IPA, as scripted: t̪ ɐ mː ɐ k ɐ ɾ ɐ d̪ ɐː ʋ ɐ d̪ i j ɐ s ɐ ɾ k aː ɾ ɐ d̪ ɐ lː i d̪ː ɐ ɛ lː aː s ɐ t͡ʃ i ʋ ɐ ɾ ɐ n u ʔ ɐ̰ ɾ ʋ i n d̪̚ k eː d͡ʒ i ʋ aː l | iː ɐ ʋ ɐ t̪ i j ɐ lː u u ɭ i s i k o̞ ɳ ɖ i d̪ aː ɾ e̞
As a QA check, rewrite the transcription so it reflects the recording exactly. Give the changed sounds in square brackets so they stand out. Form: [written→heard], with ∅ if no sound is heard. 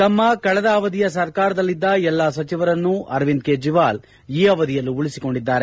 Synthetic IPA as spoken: t̪ ɐ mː ɐ k ɐ [ɾ→ɭ] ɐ d̪ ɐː ʋ ɐ d̪ i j ɐ s ɐ ɾ k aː ɾ ɐ d̪ ɐ lː i d̪ː ɐ ɛ lː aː s ɐ t͡ʃ i ʋ ɐ ɾ ɐ [n→nː] u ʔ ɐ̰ ɾ ʋ i n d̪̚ k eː d͡ʒ i ʋ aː l | iː ɐ ʋ ɐ [t̪→d̪] i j ɐ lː u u ɭ i s i k o̞ ɳ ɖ i [d̪→d̪ː] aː ɾ e̞